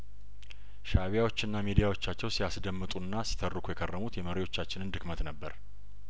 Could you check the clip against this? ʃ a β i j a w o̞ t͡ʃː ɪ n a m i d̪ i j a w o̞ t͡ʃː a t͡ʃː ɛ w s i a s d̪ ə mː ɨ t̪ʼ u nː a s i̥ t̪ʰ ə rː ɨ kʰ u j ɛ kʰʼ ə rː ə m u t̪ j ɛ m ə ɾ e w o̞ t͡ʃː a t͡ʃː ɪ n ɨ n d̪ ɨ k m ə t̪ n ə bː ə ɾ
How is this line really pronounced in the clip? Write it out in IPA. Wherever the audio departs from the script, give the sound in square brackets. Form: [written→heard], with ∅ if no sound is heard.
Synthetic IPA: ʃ a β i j a w o̞ t͡ʃː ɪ [n→nː] a m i d̪ i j a w o̞ t͡ʃː a t͡ʃː ɛ w s i a s d̪ ə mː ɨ t̪ʼ u nː a s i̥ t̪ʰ ə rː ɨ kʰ u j ɛ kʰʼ ə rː ə m u t̪ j ɛ m ə ɾ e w o̞ t͡ʃː a t͡ʃː ɪ n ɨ n d̪ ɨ k m ə t̪ n ə bː ə ɾ